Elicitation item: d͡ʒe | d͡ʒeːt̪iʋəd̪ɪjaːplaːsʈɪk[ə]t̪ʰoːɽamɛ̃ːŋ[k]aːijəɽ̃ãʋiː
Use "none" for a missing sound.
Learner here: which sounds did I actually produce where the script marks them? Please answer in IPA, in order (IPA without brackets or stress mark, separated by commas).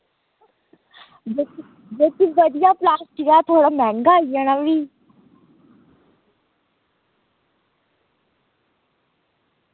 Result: a, ɡ